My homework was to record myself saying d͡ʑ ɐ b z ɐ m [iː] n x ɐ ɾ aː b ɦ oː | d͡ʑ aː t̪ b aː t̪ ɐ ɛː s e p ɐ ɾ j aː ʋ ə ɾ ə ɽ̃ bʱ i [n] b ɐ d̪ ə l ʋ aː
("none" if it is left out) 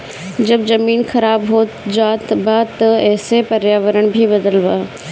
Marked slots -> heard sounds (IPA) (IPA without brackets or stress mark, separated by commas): iː, none